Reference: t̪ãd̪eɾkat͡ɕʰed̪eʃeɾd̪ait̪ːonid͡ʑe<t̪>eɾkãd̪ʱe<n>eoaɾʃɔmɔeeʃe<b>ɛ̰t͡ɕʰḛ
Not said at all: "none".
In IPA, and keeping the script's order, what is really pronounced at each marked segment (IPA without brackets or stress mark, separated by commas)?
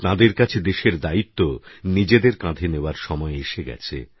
d̪, n, ɡ